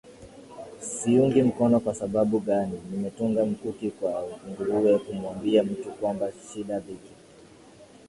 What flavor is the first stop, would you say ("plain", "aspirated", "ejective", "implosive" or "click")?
plain